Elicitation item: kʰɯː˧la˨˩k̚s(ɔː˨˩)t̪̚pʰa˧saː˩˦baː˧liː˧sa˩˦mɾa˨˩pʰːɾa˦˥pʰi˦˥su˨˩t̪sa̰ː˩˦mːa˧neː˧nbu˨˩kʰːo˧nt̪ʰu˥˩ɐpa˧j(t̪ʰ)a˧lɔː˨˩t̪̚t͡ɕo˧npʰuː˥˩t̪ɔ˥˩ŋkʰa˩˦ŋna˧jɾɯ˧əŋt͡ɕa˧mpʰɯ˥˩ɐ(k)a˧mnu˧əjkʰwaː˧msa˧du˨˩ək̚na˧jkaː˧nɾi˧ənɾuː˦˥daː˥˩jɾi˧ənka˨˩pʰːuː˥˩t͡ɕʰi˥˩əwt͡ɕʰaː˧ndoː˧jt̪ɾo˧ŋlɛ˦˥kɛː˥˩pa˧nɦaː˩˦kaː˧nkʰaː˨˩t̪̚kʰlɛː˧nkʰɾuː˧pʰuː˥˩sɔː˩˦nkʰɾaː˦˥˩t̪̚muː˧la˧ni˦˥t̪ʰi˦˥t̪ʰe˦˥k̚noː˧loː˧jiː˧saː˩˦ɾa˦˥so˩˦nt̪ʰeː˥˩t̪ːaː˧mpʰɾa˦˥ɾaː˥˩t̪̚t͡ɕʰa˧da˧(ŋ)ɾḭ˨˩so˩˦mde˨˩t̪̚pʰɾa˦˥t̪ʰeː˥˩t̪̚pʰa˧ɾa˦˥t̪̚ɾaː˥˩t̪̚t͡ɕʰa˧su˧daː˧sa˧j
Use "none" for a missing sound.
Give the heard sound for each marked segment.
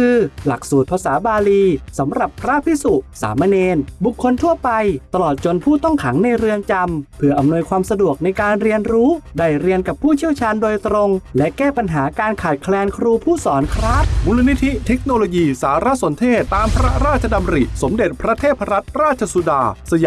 uː˨˩, t̪, ʔ, m

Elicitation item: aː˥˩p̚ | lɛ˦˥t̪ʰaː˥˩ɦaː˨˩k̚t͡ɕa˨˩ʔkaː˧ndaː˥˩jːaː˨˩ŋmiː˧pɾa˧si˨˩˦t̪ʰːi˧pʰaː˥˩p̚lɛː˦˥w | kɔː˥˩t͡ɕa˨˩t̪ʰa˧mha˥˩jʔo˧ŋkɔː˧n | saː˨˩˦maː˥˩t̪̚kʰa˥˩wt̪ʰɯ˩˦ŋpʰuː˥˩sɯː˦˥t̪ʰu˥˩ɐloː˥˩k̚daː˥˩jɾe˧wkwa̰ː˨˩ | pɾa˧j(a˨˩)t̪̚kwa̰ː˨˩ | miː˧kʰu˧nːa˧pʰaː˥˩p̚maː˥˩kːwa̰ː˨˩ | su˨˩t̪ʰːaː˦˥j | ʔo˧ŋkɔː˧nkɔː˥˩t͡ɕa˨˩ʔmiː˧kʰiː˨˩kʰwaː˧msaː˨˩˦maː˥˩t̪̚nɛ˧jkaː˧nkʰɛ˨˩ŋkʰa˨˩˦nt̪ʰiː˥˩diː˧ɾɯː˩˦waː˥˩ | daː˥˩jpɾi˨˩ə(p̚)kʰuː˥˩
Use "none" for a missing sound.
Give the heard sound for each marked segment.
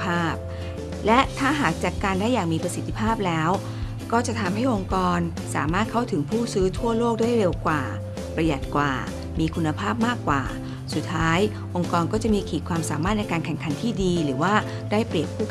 a˨˩, p̚

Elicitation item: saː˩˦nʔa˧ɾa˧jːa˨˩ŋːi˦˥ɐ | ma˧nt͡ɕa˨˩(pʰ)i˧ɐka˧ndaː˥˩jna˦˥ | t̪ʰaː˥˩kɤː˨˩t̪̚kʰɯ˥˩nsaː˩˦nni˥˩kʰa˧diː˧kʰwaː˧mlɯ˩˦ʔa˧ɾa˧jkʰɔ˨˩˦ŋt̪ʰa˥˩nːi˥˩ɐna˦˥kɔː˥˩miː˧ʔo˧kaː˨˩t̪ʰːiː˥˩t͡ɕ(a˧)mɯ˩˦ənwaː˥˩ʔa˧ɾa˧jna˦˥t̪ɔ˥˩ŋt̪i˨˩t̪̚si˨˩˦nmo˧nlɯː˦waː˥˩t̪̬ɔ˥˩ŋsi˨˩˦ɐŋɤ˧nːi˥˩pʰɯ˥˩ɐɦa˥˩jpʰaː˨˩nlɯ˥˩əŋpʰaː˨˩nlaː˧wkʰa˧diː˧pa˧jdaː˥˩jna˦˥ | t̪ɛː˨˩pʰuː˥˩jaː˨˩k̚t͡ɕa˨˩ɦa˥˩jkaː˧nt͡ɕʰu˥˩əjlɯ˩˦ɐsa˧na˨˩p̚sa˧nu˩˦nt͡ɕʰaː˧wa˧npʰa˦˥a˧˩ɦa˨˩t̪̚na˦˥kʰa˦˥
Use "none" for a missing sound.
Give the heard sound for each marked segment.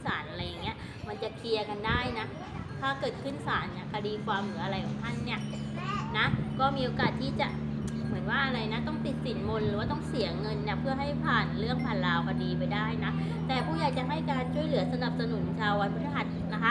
kʰ, a˨˩

